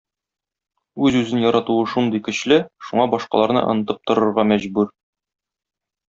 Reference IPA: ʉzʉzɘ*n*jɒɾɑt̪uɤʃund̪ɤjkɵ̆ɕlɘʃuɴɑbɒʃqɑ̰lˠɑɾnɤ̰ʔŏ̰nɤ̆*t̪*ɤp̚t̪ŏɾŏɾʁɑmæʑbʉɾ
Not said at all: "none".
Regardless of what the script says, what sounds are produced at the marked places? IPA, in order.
n, t̪

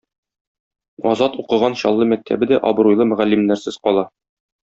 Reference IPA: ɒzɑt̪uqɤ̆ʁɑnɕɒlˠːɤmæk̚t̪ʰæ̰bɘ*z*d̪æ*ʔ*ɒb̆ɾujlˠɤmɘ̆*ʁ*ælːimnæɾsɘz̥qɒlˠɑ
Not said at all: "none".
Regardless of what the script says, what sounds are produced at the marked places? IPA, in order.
none, ʔ, ʁ

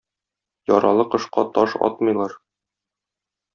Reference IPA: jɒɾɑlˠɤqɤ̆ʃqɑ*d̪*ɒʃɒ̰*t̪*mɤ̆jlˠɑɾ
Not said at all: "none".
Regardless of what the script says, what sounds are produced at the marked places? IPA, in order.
t̪, t̪

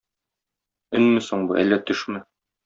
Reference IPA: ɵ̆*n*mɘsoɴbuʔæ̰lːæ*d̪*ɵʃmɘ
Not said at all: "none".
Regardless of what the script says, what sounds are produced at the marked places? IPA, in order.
n, t̪

